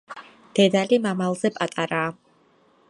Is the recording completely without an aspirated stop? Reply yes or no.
yes